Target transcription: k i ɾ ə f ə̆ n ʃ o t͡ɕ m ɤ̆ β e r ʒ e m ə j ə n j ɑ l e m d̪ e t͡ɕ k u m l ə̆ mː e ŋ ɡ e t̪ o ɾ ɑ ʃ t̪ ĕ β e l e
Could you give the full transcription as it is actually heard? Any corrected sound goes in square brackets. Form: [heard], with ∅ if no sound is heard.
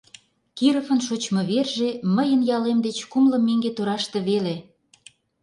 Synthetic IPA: k i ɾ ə f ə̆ n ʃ o t͡ɕ m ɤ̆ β e r ʒ e m ə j ə n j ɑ l e m d̪ e t͡ɕ k u m l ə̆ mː e ŋ ɡ e t̪ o ɾ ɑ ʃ t̪ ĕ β e l e